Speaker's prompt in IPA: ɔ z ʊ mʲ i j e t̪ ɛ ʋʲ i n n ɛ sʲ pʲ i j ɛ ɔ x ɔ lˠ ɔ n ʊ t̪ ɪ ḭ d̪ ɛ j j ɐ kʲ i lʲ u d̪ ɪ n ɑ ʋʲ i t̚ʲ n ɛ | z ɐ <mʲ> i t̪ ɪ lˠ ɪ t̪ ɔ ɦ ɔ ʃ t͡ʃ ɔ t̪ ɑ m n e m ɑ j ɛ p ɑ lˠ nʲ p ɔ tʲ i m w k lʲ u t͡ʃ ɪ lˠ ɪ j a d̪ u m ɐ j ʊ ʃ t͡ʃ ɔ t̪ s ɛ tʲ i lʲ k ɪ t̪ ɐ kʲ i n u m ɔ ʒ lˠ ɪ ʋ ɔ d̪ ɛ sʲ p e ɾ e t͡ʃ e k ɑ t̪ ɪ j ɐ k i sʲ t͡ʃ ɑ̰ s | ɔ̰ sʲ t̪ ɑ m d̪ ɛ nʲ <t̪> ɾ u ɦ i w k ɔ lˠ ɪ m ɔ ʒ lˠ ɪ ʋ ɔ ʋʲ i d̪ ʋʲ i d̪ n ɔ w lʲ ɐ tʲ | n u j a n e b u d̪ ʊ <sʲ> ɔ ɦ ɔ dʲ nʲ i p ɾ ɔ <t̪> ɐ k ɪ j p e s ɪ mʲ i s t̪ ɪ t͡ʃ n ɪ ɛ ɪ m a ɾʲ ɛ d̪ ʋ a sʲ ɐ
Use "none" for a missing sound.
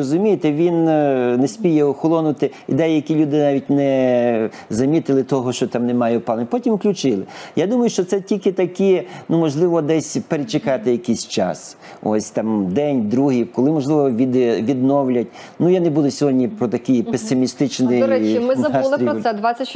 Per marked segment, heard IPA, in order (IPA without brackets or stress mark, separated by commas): mʲ, d̪, sʲ, t̪